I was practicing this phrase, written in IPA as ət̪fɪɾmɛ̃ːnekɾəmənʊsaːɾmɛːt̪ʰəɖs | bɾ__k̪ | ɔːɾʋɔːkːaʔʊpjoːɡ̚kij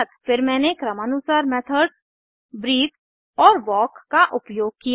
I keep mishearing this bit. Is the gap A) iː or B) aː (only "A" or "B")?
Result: A